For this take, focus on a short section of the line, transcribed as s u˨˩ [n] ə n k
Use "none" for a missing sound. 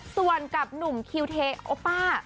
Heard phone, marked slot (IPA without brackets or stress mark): none